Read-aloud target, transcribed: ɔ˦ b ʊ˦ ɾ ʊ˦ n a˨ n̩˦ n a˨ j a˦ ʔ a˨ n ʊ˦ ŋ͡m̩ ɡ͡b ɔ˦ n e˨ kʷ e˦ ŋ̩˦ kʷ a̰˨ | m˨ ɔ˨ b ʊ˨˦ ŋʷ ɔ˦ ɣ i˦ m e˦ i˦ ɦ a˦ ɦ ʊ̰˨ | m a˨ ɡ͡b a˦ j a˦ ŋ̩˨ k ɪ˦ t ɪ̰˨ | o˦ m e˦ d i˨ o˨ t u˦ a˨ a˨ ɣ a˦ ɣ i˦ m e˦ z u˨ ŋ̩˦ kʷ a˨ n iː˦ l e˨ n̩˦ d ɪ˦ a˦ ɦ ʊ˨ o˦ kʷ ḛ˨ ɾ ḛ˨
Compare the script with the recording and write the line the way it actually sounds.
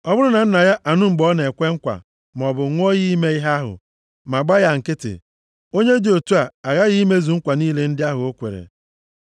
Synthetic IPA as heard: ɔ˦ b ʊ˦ ɾ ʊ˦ n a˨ n̩˦ n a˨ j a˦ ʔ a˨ n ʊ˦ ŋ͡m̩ ɡ͡b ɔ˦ n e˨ kʷ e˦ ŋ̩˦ kʷ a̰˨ | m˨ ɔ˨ b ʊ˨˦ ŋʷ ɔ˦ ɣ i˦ m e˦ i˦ ɦ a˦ ɦ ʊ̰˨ | m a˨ ɡ͡b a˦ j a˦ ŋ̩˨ k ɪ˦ t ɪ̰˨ | o˦ ɲ e˦ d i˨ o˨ t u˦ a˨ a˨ ɣ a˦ ɣ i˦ m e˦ z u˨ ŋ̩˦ kʷ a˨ n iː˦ l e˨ n̩˦ d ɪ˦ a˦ ɦ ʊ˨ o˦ kʷ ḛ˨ ɾ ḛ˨